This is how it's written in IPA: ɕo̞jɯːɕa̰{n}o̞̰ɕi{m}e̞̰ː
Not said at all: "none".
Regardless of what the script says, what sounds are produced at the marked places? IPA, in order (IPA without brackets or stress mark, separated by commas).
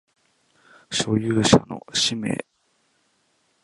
n, m